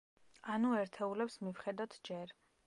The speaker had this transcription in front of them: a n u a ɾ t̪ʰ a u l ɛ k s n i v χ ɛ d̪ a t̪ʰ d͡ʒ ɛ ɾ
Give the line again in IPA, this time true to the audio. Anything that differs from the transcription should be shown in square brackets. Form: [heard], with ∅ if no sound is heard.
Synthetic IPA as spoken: a n u [ɛ] ɾ t̪ʰ [ɛ] u l ɛ [p] s [m] i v χ ɛ d̪ a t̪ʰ d͡ʒ ɛ ɾ